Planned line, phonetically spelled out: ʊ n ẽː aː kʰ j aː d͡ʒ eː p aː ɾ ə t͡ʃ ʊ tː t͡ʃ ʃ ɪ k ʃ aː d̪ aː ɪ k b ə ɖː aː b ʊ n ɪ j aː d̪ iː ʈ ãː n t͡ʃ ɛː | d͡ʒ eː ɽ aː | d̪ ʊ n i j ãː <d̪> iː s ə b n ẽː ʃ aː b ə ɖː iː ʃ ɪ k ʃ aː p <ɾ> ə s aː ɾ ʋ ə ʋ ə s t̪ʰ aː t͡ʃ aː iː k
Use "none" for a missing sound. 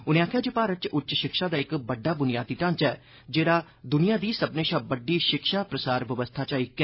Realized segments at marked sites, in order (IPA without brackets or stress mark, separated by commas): d̪, ɾ